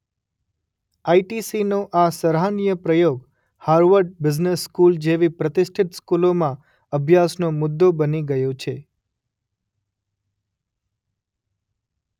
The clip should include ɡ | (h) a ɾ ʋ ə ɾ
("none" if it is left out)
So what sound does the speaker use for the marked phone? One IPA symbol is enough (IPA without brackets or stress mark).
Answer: h